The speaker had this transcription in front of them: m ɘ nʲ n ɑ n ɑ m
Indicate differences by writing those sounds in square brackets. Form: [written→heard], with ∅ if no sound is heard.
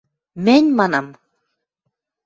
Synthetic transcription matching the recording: m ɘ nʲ [n→m] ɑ n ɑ m